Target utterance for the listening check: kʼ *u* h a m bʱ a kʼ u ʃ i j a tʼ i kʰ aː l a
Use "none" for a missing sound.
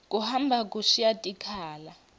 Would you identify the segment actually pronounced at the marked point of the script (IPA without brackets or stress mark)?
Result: u